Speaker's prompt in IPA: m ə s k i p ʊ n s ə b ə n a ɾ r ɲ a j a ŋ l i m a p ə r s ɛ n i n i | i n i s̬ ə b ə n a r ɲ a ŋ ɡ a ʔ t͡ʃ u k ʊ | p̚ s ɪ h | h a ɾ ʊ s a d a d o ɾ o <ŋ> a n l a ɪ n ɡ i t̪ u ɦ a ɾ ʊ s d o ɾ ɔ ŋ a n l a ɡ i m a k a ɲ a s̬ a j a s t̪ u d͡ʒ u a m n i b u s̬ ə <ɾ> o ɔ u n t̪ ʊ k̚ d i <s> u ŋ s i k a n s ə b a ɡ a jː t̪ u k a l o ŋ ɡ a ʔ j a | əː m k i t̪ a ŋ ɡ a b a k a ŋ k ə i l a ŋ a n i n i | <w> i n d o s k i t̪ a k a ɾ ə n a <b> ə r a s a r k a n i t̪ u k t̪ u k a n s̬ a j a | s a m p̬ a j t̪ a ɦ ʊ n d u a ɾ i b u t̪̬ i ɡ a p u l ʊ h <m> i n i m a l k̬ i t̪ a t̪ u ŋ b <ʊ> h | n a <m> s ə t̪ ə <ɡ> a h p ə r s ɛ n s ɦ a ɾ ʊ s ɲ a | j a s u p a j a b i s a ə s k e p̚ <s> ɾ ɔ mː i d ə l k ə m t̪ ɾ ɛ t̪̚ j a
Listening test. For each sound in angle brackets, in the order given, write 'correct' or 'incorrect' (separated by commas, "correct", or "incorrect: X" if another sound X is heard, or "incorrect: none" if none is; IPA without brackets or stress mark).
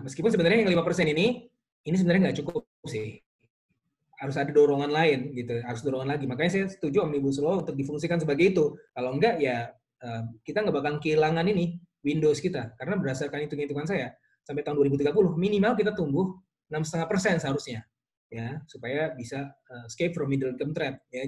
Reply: correct, incorrect: l, incorrect: f, correct, correct, correct, correct, correct, incorrect: ŋ, incorrect: f